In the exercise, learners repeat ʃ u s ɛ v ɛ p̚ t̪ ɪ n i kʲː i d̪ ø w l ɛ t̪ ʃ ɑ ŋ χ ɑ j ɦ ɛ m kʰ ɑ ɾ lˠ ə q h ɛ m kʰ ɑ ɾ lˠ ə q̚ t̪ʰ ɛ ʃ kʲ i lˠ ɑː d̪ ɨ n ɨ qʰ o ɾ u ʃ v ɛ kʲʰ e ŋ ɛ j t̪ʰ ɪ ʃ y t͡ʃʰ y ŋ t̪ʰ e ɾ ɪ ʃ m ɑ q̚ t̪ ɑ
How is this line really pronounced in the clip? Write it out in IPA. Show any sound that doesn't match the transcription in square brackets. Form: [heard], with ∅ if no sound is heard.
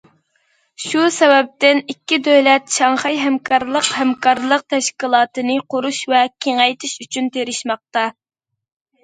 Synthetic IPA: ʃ u s ɛ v ɛ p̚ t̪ ɪ n i kʲː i d̪ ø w l ɛ t̪ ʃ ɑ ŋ χ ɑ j ɦ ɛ m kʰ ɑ ɾ lˠ ə q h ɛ m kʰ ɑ ɾ lˠ ə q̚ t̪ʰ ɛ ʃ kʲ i lˠ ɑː [t̪] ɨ n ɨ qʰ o ɾ u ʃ v ɛ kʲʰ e ŋ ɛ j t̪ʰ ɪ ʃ y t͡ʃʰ y [n] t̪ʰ e ɾ ɪ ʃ m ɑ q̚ t̪ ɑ